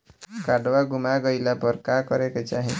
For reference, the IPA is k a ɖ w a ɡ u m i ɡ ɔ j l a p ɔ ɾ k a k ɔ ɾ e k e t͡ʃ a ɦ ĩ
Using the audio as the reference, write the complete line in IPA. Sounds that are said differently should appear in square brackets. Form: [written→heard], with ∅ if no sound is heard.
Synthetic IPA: k a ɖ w a ɡ u m [i→a] ɡ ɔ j l a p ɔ ɾ k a k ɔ ɾ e k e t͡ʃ a ɦ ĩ